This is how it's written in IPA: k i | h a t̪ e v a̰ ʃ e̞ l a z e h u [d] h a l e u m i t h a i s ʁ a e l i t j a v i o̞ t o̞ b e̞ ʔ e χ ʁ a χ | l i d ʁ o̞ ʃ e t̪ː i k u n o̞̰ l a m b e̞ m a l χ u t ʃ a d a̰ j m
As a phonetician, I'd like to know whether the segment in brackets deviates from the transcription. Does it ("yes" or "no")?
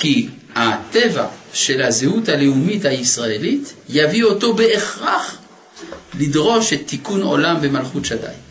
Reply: yes